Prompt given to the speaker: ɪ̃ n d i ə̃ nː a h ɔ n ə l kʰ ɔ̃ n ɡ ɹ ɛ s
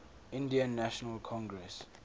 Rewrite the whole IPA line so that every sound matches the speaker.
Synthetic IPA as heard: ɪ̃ n d i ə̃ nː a ʃ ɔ n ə l kʰ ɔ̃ ŋ ɡ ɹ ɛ s